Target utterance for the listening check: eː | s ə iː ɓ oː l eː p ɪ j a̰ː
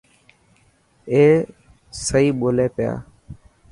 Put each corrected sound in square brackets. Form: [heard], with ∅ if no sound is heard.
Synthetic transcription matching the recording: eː | s ə iː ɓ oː l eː p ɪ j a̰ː